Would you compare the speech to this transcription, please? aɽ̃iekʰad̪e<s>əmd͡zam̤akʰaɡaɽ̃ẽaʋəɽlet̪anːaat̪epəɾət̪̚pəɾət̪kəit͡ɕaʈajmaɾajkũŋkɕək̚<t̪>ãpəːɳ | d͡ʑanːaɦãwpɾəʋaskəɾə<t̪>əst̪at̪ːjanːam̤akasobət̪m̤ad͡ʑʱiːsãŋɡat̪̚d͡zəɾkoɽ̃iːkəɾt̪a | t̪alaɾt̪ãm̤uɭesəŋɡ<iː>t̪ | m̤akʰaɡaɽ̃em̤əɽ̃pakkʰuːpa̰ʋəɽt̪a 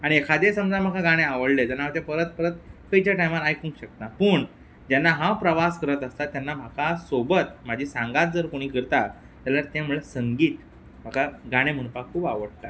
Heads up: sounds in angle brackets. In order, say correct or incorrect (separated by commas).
correct, correct, correct, correct